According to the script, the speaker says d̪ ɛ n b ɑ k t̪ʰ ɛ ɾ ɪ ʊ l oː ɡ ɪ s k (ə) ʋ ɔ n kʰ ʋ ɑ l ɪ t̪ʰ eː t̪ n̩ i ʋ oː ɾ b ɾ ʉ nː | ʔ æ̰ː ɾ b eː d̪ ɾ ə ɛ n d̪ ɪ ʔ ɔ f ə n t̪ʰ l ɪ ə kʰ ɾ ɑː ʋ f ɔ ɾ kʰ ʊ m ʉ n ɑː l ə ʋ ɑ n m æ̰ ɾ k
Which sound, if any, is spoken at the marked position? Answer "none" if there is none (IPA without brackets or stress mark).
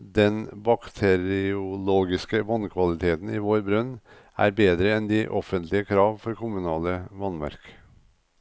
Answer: ə